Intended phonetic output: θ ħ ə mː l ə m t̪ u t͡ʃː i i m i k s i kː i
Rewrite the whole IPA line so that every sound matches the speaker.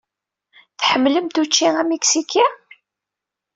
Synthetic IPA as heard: θ ħ ə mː l ə m t̪ u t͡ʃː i æ m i k s i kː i